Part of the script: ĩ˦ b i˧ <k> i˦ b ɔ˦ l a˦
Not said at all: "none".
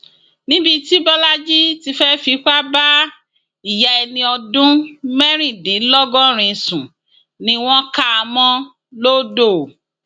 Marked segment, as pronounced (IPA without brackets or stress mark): t